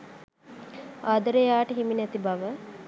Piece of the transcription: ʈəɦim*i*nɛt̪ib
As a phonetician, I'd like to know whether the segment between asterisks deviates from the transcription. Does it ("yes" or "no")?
no